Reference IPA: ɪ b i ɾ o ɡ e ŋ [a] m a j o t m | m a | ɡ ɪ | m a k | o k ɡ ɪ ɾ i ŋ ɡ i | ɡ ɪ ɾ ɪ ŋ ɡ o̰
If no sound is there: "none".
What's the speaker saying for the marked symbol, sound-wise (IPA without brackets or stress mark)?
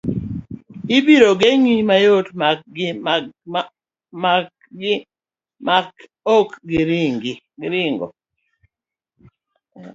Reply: i